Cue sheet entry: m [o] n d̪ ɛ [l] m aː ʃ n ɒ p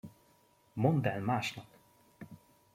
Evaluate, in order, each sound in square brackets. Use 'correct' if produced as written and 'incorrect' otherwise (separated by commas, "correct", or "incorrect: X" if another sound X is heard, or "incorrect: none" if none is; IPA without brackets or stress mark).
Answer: correct, correct